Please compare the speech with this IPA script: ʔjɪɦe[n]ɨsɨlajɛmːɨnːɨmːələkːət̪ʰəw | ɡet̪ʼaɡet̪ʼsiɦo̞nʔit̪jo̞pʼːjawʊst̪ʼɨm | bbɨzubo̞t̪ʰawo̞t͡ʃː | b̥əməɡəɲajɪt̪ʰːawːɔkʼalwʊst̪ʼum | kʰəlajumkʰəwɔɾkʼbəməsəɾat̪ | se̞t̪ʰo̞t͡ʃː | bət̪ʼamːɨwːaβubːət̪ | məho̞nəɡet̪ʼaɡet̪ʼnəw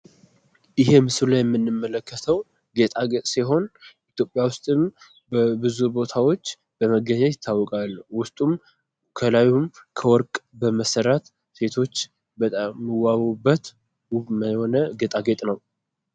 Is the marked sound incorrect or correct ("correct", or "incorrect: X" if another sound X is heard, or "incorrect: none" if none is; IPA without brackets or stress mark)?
incorrect: m